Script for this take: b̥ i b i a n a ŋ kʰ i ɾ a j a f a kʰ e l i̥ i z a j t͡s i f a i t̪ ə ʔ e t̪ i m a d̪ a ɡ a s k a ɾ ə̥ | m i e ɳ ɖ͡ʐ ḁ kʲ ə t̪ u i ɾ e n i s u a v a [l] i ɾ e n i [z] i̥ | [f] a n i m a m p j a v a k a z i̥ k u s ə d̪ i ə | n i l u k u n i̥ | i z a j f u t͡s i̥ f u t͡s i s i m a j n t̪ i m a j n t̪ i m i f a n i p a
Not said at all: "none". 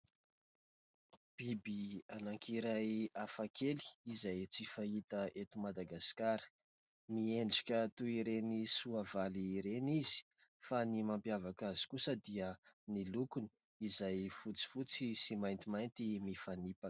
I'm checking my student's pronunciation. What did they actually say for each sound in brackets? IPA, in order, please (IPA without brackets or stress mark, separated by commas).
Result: l, z, f